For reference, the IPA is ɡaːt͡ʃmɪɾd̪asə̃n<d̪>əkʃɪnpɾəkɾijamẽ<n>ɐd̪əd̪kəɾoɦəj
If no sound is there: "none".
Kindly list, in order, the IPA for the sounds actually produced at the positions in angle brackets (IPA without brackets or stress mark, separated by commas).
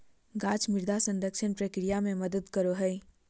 d̪, m